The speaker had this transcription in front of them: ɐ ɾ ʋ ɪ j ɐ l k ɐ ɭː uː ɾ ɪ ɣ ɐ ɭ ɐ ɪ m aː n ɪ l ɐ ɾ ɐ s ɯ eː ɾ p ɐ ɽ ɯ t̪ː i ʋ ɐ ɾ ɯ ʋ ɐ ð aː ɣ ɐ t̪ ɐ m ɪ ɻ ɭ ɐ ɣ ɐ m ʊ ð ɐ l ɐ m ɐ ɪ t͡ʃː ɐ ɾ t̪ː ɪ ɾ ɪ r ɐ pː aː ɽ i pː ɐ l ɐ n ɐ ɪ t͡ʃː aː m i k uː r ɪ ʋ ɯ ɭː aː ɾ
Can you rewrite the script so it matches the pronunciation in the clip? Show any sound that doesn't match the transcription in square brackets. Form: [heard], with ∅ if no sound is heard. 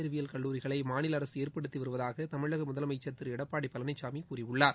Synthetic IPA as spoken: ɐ ɾ ʋ ɪ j ɐ l k ɐ ɭː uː ɾ ɪ ɣ ɐ ɭ ɐ ɪ m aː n ɪ l ɐ ɾ ɐ s ɯ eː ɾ p ɐ ɽ ɯ t̪ː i ʋ ɐ ɾ ɯ ʋ ɐ ð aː ɣ ɐ t̪ ɐ m ɪ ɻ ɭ ɐ ɣ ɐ m ʊ ð ɐ l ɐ m ɐ ɪ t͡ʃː ɐ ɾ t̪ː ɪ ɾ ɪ [ɽ] ɐ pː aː ɽ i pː ɐ l ɐ n ɐ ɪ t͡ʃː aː m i k uː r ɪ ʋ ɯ ɭː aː ɾ